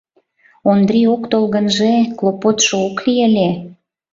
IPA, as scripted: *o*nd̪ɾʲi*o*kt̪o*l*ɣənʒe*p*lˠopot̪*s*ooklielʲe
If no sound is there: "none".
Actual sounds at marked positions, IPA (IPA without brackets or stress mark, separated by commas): o, o, l, k, ʃ